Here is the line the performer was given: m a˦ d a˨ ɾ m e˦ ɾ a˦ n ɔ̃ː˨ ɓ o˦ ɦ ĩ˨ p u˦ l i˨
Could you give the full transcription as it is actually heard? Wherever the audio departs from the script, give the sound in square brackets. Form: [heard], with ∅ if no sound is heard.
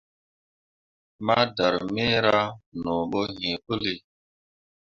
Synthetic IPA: m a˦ d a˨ ɾ m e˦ ɾ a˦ n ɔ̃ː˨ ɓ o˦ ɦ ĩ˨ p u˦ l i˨